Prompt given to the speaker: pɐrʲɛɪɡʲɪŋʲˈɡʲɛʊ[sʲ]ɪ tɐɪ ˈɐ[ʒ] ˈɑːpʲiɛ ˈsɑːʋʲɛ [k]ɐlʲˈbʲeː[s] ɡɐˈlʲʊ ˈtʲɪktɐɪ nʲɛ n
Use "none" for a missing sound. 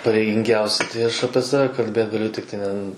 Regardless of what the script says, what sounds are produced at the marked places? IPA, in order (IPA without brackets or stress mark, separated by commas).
sʲ, ʃ, k, t